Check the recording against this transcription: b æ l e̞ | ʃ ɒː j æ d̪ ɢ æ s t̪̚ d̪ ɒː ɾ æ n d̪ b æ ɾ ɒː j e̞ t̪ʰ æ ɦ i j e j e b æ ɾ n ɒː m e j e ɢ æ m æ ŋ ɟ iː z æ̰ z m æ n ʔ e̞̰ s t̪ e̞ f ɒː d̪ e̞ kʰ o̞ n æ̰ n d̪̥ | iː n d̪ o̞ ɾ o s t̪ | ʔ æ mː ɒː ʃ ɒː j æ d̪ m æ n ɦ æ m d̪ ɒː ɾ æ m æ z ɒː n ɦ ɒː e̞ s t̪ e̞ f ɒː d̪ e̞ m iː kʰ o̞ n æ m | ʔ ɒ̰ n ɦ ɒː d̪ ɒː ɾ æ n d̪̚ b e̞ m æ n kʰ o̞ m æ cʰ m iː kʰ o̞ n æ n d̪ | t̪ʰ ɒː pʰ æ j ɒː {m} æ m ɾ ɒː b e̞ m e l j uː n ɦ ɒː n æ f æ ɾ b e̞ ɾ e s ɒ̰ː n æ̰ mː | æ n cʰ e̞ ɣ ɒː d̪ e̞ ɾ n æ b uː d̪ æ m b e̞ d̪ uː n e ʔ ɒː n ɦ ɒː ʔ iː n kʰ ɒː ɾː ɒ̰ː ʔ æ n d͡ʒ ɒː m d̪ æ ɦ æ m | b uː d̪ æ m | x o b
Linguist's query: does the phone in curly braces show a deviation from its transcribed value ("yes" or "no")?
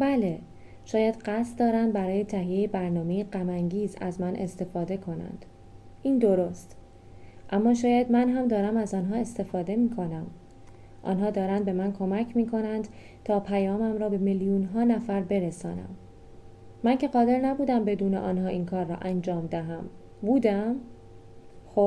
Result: no